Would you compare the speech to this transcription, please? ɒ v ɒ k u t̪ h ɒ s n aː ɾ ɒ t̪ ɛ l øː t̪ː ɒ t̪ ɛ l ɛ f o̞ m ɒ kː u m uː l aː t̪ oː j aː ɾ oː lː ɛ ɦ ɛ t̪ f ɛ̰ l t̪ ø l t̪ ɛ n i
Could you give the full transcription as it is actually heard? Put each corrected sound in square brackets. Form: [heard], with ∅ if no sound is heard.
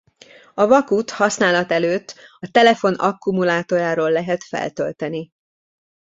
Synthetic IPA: ɒ v ɒ k u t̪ h ɒ s n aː [l] ɒ t̪ ɛ l øː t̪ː ɒ t̪ ɛ l ɛ f o̞ [n] ɒ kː u m [u] l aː t̪ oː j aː ɾ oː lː ɛ ɦ ɛ t̪ f ɛ̰ l t̪ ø l t̪ ɛ n i